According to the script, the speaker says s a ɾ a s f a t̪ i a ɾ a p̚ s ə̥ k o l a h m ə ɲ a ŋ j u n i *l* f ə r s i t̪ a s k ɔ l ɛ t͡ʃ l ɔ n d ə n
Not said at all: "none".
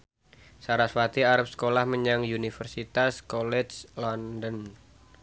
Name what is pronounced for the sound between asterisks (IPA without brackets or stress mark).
none